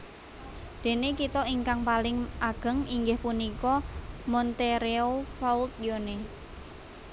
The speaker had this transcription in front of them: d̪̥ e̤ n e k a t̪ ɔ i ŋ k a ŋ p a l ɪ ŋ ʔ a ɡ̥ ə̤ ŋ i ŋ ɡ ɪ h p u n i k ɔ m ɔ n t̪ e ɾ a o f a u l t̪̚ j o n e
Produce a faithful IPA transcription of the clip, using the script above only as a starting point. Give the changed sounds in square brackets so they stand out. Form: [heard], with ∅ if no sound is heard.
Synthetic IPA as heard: d̪̥ e̤ n e k [i] t̪ ɔ i ŋ k a ŋ p a l ɪ ŋ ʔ a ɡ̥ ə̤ ŋ i ŋ ɡ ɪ h p u n i k ɔ m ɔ n t̪ e ɾ [e] o f a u l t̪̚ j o n e